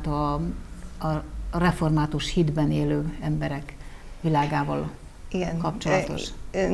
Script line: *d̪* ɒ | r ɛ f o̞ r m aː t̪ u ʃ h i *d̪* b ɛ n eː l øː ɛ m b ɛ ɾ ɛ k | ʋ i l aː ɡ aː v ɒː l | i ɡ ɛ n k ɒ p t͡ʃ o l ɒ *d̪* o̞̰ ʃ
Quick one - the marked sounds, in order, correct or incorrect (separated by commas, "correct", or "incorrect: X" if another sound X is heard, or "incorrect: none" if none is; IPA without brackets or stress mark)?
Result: incorrect: t̪, correct, incorrect: t̪